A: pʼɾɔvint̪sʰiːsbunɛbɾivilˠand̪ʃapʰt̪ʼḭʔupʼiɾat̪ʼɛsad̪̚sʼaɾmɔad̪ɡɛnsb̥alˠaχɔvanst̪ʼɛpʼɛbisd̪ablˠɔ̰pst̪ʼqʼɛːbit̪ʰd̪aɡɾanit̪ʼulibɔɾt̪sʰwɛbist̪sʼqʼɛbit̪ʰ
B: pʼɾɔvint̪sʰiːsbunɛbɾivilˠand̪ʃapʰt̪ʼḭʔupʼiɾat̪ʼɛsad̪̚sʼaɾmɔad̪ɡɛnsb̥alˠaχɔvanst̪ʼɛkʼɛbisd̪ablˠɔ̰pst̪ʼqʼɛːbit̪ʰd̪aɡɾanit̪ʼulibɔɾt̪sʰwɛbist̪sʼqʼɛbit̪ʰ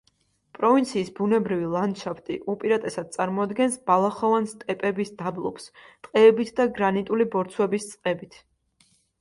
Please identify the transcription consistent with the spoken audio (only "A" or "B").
A